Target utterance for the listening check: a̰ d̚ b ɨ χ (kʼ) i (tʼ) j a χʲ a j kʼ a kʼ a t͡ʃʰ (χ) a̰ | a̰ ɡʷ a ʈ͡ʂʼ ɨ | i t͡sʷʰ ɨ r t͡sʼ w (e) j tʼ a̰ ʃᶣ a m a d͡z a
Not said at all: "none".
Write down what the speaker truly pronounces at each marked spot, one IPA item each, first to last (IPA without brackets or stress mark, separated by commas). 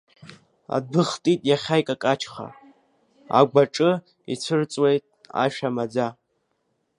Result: tʼ, tʼ, χ, e